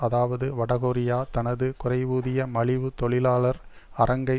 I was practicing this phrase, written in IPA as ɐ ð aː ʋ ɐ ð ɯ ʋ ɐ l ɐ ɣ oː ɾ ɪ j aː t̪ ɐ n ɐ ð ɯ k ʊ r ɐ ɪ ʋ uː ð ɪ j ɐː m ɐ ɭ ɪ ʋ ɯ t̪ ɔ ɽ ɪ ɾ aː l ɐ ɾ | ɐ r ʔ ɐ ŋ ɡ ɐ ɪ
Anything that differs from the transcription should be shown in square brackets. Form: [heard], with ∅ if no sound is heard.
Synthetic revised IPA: ɐ ð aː ʋ ɐ ð ɯ ʋ ɐ [ɽ] ɐ ɣ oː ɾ ɪ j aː t̪ ɐ n ɐ ð ɯ k ʊ r ɐ ɪ ʋ uː ð ɪ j [ɐ] m ɐ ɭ ɪ ʋ ɯ t̪ ɔ [ɭ] ɪ [l] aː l ɐ ɾ | ɐ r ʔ ɐ ŋ ɡ ɐ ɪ